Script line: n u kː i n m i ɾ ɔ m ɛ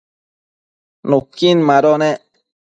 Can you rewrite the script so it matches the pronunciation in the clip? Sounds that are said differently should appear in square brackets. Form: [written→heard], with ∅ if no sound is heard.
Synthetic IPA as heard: n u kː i n m [i→a] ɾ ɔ [m→n] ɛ